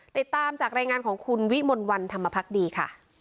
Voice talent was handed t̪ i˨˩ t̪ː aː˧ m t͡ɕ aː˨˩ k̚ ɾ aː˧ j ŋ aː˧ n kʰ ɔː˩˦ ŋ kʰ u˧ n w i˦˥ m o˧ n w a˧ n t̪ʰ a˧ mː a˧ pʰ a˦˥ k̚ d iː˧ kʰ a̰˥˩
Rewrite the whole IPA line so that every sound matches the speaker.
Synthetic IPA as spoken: t̪ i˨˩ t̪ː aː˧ m t͡ɕ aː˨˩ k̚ ɾ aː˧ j ŋ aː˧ n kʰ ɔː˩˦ ŋ kʰ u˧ n w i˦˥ m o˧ n w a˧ n t̪ʰ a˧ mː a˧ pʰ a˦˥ k̚ d iː˧ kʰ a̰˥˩